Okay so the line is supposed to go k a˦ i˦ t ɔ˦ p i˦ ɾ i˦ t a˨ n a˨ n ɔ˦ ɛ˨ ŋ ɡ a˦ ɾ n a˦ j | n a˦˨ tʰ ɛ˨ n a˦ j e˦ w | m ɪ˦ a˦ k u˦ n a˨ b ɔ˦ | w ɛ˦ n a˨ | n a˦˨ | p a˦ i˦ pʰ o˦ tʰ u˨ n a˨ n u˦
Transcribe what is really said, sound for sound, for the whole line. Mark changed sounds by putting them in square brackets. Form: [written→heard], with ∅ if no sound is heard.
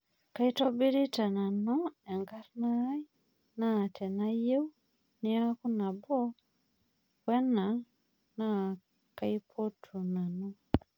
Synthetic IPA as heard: k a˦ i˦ t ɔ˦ [p→b] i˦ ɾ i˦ t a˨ n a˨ n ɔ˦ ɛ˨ ŋ ɡ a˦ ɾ n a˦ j | n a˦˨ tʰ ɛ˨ n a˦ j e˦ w | [m→n] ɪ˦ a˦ k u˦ n a˨ b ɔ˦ | w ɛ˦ n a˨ | n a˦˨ | [p→k] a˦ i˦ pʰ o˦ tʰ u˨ n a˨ n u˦